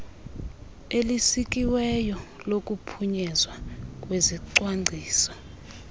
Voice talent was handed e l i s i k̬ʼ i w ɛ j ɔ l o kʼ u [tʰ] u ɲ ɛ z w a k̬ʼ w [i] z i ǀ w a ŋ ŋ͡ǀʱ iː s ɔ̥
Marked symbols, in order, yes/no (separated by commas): no, no